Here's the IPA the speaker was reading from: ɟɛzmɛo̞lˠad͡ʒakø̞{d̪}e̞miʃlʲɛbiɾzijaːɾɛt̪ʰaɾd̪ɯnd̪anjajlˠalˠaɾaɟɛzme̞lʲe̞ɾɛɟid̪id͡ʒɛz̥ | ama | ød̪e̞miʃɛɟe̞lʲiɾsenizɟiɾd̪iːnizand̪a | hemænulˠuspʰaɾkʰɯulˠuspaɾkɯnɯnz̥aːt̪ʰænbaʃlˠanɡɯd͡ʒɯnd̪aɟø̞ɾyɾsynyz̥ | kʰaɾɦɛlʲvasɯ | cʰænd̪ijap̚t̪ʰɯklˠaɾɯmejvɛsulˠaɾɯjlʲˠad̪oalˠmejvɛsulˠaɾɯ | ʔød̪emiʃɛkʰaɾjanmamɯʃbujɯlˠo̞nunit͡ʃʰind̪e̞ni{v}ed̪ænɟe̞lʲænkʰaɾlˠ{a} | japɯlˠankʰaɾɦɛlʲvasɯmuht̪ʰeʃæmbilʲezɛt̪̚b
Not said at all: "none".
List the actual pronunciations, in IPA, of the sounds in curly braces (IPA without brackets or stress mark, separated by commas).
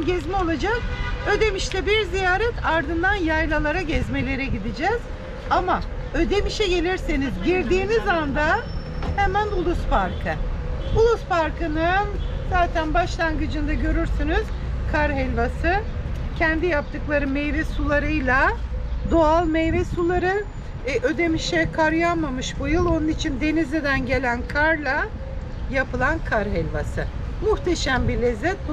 d̪, z, a